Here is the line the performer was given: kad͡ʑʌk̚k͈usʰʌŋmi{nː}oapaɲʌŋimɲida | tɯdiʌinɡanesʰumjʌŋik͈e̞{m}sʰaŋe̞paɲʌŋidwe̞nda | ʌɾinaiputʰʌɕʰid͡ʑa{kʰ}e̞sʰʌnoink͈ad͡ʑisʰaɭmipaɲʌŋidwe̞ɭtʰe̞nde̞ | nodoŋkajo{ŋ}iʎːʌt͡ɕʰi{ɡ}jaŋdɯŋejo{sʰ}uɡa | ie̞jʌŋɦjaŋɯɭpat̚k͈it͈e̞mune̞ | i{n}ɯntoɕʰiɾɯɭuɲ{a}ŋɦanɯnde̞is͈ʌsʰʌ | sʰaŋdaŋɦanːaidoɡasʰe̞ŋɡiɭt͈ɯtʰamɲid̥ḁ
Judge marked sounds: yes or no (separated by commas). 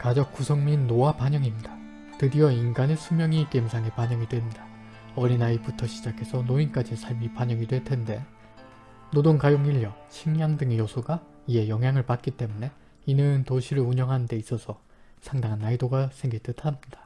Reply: yes, yes, yes, yes, no, yes, yes, no